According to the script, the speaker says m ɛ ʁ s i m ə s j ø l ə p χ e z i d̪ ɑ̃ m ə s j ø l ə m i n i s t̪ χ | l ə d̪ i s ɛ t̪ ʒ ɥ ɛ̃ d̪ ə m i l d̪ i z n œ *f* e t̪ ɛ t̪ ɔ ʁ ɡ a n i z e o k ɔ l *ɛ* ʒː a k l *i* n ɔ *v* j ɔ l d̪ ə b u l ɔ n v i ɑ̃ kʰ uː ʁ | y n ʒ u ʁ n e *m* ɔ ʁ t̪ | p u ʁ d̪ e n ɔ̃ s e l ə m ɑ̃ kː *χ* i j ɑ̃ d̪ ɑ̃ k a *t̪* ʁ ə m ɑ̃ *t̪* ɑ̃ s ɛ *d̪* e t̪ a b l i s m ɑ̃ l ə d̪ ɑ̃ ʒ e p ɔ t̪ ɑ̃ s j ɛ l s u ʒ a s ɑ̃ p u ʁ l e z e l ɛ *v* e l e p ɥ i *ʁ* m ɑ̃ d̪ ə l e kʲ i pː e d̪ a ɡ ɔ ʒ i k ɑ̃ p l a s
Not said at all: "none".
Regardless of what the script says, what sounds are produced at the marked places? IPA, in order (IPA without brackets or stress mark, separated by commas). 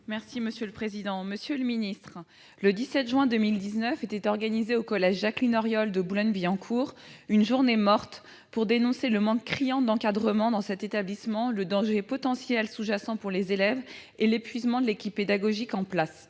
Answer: f, ɛ, i, ʁ, m, χ, d̪, d̪, t̪, v, z